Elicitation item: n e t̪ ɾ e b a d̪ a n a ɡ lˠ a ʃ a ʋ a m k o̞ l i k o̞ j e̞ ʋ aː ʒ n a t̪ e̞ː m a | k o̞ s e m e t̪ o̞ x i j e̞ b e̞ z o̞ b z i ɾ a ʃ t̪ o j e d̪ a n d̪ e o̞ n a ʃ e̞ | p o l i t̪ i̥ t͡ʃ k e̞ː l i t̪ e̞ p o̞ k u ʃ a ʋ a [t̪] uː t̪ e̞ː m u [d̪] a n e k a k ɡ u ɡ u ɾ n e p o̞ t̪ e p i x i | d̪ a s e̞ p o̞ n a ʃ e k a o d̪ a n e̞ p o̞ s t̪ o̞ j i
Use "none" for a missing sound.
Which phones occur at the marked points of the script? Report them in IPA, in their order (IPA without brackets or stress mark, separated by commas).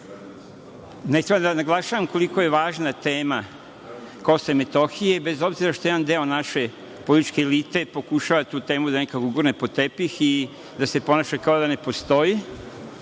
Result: t̪, d̪